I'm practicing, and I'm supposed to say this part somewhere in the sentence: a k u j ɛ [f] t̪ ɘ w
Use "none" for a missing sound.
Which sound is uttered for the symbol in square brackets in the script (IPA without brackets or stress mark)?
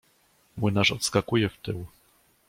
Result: f